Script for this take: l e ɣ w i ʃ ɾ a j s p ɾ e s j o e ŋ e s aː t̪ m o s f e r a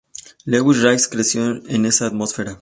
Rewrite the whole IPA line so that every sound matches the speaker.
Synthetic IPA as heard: l e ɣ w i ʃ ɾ a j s k ɾ e s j o e n e s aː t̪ m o s f e ɾ a